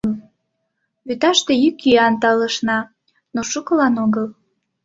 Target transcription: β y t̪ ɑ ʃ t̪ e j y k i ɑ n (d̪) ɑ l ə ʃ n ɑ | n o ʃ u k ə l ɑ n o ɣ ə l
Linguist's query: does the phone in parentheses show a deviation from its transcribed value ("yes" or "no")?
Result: yes